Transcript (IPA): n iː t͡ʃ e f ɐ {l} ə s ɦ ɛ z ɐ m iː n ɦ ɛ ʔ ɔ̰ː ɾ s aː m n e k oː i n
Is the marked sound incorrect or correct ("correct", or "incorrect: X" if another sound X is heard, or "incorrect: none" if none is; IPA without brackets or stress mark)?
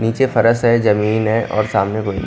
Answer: incorrect: ɾ